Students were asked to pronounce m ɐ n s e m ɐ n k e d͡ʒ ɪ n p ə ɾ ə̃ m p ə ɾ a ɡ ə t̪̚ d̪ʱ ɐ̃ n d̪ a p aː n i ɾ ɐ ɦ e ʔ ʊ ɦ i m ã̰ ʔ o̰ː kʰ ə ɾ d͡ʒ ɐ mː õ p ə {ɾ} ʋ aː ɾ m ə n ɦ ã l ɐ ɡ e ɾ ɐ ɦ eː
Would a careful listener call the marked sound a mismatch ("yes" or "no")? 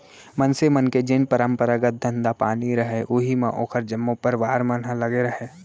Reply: no